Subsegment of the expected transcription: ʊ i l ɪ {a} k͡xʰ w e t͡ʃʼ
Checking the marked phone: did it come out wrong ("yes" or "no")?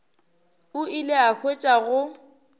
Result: no